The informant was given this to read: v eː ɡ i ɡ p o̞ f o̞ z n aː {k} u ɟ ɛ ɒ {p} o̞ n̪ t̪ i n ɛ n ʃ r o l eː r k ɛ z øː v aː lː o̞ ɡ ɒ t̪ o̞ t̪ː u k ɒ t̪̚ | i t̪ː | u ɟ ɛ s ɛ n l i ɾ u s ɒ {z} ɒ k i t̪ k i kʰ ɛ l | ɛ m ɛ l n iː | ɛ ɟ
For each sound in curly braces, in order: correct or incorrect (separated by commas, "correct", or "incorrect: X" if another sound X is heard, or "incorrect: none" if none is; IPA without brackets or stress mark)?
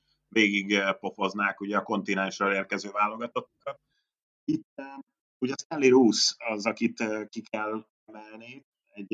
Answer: correct, incorrect: k, correct